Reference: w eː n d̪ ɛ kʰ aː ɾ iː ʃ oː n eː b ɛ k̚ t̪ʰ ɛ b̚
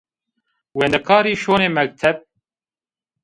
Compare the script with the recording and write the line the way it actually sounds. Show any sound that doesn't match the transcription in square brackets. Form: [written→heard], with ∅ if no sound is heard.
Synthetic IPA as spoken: w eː n d̪ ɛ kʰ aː ɾ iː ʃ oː n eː [b→m] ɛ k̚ t̪ʰ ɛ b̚